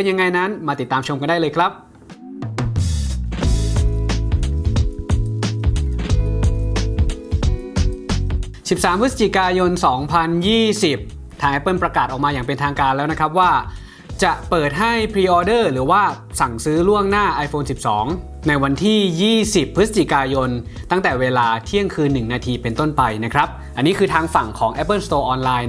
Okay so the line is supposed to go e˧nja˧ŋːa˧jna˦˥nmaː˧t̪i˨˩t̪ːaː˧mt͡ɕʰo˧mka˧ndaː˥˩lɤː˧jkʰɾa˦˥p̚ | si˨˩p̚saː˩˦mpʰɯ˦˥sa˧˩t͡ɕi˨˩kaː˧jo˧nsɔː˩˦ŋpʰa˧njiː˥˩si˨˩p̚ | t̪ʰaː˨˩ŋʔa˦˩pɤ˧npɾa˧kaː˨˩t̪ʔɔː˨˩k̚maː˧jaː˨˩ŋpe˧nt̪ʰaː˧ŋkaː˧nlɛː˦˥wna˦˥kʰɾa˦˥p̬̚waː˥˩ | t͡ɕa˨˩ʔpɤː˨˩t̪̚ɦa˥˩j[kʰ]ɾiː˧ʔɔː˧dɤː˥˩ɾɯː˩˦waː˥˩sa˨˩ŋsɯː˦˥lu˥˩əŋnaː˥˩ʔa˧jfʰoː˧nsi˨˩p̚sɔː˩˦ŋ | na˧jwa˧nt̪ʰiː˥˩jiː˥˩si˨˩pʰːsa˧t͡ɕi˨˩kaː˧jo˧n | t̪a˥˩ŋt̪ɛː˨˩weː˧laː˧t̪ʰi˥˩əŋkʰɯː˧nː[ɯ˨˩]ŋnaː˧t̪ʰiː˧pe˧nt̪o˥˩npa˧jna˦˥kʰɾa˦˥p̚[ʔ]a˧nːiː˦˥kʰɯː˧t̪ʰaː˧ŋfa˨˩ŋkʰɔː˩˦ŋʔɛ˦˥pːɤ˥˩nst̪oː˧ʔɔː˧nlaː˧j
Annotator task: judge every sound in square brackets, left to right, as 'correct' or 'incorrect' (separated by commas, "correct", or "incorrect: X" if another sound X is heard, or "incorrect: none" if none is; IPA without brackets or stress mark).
incorrect: pʰ, correct, correct